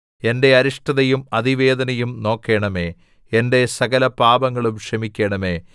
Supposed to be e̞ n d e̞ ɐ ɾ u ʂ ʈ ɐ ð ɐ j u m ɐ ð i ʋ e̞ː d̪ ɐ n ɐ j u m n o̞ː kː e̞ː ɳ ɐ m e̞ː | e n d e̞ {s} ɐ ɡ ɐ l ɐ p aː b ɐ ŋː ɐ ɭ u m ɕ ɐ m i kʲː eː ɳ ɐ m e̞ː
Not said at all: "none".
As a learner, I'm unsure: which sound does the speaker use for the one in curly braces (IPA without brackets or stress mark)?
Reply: s